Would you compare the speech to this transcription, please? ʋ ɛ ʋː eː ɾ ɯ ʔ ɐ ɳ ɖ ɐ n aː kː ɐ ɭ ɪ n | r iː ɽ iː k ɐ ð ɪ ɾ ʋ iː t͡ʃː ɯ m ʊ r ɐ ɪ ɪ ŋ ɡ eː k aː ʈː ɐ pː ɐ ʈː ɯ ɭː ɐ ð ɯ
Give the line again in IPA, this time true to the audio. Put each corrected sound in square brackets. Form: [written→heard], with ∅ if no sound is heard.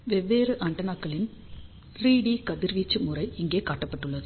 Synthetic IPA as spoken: ʋ ɛ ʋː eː ɾ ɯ ʔ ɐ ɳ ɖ ɐ n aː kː ɐ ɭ ɪ n | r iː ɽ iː k ɐ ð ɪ ɾ ʋ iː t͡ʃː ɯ m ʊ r ɐ ɪ ɪ ŋ ɡ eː k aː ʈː ɐ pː ɐ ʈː ɯ ɭː ɐ ð ɯ